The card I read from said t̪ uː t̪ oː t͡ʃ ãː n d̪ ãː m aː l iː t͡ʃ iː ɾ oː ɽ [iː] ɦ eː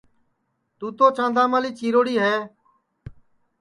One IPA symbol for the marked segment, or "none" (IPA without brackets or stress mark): iː